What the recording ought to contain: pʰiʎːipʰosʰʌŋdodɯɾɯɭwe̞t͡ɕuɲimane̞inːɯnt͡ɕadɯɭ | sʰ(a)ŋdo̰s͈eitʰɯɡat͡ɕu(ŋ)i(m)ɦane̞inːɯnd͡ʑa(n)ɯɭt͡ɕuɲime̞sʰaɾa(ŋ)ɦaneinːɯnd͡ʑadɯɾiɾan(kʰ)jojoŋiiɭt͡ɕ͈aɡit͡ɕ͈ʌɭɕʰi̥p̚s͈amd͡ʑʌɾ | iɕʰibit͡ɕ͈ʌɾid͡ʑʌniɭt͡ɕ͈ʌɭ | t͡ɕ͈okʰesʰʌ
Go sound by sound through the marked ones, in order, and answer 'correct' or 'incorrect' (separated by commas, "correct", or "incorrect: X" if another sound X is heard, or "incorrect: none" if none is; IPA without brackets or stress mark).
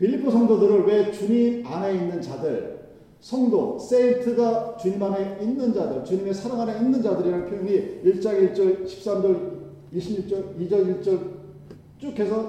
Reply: incorrect: ʌ, incorrect: ɲ, correct, incorrect: d, correct, incorrect: pʰ